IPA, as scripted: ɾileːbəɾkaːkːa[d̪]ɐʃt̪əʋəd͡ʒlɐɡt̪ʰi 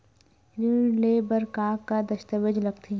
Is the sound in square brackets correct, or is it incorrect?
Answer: correct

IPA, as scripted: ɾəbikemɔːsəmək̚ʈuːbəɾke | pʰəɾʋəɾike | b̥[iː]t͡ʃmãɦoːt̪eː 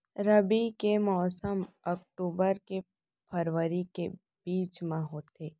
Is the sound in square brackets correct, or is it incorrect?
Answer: correct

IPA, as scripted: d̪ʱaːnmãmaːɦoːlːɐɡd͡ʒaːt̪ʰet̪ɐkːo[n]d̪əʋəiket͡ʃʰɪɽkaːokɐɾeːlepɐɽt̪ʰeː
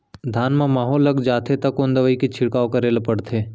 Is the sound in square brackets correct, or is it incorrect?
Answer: correct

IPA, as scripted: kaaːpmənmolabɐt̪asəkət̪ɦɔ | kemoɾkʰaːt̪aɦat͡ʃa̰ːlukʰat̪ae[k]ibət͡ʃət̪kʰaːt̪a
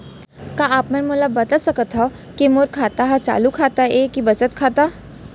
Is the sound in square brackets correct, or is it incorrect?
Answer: correct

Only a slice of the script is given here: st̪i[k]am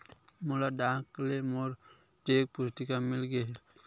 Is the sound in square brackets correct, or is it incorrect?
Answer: correct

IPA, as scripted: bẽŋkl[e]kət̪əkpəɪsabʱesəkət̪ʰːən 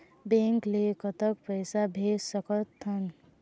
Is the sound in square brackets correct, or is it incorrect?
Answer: correct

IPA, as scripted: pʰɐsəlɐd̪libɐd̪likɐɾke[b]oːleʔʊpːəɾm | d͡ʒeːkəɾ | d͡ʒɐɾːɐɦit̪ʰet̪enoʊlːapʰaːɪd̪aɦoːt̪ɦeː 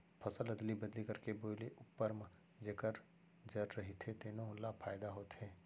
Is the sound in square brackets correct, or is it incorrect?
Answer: correct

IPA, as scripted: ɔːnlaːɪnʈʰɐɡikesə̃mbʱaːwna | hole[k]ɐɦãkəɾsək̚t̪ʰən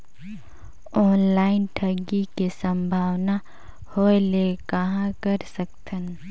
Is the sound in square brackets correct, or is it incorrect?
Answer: correct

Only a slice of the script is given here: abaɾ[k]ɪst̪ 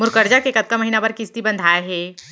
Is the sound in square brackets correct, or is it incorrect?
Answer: correct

